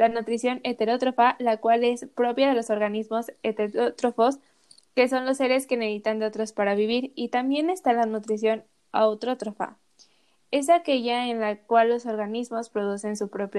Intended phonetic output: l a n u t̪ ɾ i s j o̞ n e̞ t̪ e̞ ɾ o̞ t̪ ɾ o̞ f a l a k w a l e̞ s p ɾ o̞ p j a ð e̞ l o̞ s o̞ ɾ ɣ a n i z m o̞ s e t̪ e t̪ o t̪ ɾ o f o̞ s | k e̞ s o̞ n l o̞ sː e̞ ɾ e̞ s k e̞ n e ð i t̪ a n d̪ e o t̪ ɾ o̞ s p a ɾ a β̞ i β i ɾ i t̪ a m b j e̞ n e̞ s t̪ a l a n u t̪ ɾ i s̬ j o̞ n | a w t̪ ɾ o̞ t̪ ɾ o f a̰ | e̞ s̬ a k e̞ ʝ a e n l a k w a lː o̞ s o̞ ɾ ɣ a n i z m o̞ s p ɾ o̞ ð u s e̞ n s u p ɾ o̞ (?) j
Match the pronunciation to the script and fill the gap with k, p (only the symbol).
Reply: p